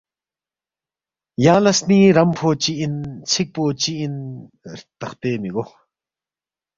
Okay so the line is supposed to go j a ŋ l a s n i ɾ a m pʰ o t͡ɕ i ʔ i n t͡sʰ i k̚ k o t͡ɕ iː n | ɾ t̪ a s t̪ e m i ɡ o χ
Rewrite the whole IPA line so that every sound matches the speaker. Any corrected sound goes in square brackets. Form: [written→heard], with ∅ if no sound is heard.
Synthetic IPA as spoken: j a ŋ l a s n i ɾ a m pʰ o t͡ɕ i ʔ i n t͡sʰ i k̚ [k→p] o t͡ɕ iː n | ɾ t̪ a [s→χ] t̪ e m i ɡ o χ